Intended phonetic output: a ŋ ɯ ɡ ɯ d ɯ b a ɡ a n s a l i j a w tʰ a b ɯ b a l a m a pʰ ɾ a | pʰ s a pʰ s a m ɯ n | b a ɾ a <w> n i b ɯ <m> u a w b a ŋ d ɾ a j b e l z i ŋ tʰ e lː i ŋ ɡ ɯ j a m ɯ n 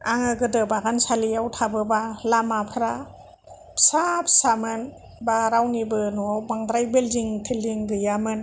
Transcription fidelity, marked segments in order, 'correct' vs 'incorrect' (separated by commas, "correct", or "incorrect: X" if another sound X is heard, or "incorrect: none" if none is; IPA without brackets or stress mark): correct, incorrect: n